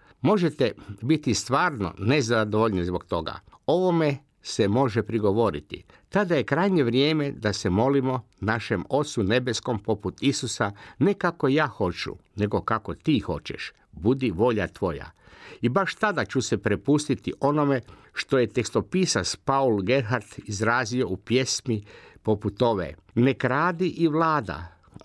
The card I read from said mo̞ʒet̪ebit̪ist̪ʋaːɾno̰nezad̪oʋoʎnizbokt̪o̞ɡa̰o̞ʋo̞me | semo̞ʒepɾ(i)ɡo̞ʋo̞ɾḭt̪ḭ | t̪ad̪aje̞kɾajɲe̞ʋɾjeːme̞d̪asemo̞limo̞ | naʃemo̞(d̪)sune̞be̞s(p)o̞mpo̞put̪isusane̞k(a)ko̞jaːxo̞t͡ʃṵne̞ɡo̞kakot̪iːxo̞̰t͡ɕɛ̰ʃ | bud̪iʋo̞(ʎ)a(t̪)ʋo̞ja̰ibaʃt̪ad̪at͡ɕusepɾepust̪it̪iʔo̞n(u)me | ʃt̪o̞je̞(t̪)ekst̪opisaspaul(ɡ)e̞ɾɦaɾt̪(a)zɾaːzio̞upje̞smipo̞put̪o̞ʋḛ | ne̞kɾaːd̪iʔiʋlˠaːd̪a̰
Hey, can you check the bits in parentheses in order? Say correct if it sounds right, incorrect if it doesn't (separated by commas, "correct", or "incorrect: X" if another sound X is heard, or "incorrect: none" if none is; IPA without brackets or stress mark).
correct, incorrect: t̪, incorrect: k, correct, correct, correct, incorrect: o, correct, correct, incorrect: i